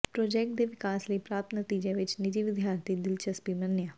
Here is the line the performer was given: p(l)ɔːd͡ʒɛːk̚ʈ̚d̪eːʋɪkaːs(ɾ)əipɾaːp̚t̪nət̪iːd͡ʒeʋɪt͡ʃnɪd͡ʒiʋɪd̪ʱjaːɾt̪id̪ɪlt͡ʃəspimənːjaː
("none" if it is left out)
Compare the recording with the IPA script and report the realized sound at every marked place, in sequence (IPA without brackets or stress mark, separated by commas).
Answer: ɾ, l